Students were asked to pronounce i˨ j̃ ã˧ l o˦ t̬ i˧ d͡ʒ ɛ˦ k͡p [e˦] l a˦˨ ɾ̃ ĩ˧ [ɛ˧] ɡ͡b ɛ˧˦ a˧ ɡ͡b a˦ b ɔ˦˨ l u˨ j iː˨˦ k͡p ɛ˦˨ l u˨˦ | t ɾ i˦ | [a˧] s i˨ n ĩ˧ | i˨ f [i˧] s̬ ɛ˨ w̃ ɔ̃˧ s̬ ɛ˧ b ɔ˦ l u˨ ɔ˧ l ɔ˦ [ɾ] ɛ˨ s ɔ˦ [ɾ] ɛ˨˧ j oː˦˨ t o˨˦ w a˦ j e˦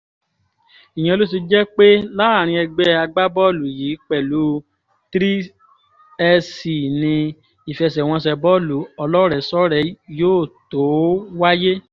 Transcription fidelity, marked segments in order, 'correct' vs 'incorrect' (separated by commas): correct, correct, incorrect, incorrect, correct, correct